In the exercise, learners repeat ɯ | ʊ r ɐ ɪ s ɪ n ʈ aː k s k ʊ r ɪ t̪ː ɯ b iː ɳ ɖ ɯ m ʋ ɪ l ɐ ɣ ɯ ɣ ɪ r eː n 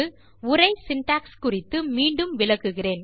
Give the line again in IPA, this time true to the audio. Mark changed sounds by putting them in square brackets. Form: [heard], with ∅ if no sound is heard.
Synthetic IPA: ɯ | ʊ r ɐ ɪ s ɪ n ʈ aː k s k ʊ r ɪ t̪ː ɯ [m] iː ɳ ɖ ɯ m ʋ ɪ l ɐ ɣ ɯ ɣ ɪ r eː n